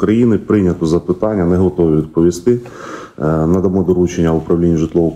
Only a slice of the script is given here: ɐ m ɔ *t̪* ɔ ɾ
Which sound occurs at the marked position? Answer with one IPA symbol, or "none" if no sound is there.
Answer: d̪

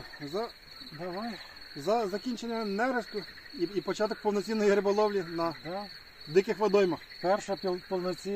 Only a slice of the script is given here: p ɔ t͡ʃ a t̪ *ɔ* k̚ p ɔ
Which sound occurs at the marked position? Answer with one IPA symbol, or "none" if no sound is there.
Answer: ɔ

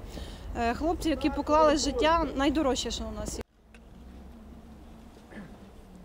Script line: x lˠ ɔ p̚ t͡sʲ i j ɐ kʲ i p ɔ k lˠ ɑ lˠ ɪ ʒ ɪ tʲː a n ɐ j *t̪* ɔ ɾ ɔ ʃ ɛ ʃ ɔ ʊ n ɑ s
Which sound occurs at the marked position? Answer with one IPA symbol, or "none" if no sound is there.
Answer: d̪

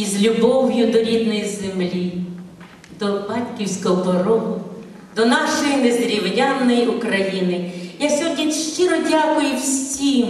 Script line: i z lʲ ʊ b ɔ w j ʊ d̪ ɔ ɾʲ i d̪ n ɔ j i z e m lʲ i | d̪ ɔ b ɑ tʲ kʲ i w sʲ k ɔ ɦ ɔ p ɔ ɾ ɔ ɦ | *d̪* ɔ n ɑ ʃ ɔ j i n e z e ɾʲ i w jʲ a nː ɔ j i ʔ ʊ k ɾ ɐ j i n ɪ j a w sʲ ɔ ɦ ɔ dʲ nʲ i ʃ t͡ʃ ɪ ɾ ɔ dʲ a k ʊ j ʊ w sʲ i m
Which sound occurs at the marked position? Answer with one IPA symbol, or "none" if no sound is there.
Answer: d̪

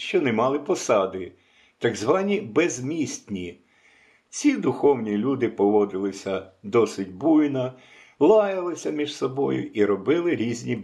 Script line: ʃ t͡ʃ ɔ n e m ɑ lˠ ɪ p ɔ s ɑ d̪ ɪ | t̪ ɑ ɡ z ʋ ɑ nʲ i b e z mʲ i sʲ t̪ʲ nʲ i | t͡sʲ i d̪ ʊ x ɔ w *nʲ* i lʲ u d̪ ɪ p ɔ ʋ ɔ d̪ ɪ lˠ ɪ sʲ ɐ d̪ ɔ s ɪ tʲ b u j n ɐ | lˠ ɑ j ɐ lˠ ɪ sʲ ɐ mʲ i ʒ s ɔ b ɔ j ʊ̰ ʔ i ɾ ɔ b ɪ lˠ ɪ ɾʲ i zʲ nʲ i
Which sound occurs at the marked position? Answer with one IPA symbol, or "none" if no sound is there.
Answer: nʲ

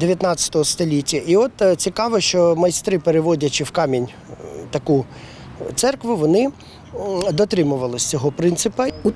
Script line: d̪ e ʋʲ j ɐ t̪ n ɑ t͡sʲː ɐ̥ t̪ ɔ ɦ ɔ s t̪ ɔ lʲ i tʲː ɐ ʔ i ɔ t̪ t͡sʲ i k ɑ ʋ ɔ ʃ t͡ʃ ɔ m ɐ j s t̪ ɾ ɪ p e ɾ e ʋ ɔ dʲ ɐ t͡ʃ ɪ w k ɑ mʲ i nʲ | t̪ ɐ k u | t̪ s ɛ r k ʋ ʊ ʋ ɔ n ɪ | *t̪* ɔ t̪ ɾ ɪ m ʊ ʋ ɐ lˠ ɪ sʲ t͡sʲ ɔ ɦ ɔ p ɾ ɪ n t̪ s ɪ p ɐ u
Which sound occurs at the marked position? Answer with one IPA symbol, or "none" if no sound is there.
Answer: d̪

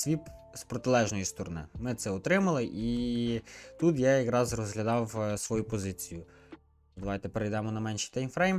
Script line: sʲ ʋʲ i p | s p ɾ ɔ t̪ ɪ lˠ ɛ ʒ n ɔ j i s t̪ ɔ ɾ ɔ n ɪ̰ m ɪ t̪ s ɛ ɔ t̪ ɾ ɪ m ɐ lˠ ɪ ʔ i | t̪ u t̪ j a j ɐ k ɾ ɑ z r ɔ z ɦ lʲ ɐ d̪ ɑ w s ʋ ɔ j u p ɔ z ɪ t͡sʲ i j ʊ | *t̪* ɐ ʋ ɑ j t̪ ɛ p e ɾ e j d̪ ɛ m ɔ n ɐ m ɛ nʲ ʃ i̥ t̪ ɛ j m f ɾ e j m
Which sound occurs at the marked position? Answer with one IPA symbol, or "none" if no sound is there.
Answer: d̪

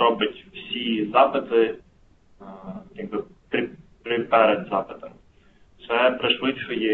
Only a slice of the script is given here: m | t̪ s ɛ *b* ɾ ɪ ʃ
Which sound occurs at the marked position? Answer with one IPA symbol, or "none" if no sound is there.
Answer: p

